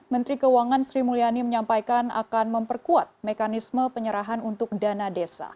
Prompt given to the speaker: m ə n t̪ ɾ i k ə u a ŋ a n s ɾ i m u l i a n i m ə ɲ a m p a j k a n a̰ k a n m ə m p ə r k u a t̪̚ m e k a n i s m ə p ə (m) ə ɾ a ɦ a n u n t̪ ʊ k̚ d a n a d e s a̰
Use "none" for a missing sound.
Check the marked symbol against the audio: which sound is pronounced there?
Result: ɲ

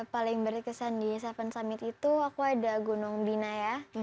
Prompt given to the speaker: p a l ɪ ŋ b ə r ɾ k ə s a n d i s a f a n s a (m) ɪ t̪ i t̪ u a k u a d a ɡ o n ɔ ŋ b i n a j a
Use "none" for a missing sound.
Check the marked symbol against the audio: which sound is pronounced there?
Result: m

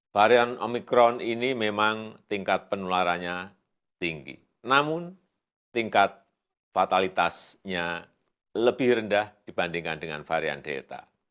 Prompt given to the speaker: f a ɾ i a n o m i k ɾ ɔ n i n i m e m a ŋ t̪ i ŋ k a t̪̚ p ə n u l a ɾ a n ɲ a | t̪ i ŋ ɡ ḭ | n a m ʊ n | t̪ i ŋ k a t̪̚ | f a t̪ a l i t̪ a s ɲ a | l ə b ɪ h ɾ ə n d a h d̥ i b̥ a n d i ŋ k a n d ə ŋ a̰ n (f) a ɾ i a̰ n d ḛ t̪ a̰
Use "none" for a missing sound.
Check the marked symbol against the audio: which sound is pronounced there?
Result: f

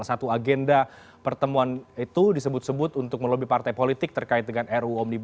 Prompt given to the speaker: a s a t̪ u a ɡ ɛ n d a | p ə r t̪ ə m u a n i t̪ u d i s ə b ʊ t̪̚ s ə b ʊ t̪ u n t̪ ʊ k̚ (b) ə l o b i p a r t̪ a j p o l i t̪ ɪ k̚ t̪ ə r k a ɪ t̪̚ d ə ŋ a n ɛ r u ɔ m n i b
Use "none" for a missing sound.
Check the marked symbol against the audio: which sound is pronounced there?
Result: m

